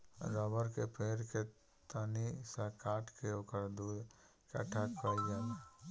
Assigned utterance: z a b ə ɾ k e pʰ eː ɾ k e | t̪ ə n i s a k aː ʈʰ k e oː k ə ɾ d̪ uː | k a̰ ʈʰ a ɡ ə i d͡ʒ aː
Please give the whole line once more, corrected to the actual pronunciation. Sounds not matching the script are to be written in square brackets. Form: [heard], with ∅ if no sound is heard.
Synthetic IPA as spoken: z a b ə ɾ k e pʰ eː ɾ k e | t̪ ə n i s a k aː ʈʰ k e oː k ə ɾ d̪ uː | k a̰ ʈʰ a [k] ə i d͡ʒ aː